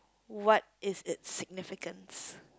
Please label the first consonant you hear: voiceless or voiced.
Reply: voiced